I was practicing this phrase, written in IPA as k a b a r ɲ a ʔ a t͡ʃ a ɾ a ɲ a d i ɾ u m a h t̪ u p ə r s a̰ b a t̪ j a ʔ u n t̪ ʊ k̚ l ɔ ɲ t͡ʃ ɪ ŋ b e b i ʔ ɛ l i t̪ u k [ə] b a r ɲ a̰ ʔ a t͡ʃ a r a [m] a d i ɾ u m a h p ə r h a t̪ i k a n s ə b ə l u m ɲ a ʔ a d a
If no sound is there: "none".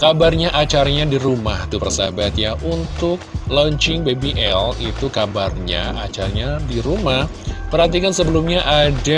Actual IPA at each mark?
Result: a, ɲ

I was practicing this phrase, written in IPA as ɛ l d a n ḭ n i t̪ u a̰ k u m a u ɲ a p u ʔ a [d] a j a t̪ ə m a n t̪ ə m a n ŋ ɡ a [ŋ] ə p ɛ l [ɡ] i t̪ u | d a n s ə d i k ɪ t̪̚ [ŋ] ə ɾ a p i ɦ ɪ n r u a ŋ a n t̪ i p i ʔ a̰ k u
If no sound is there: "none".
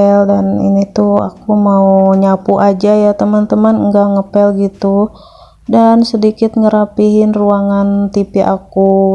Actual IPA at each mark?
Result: d͡ʒ, ŋ, ɡ, ŋ

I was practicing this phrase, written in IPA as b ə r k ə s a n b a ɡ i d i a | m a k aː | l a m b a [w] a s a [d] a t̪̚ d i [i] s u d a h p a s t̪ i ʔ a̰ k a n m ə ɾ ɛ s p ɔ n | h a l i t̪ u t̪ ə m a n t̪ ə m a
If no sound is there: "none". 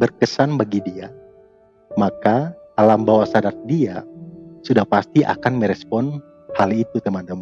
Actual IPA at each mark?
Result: w, d, a

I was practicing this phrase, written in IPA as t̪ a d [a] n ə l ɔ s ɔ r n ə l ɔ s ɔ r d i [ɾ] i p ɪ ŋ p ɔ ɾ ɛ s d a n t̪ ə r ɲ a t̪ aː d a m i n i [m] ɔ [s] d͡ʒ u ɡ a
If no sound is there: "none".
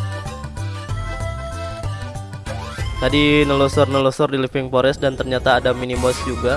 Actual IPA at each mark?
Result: i, l, m, s

